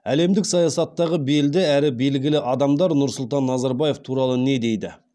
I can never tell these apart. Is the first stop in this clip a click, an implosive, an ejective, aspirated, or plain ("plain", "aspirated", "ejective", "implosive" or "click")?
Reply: plain